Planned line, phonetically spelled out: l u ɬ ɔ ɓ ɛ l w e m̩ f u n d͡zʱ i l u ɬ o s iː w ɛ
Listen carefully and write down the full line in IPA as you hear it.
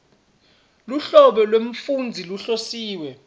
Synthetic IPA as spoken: l u ɬ ɔ ɓ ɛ l w e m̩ f u n d͡zʱ i l u ɬ o s iː w ɛ